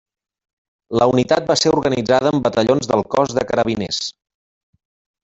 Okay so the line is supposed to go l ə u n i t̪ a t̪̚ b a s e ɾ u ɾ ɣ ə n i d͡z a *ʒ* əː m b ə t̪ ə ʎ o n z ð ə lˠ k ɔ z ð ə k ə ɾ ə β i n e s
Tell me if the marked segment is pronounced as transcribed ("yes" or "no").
no